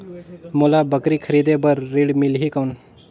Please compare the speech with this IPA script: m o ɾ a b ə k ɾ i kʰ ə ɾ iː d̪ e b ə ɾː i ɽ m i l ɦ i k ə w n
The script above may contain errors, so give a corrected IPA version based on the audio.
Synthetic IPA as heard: m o l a b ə k ɾ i kʰ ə ɾ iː d̪ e b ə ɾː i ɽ m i l ɦ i k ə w n